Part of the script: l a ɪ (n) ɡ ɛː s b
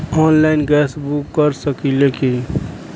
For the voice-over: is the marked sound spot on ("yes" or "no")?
yes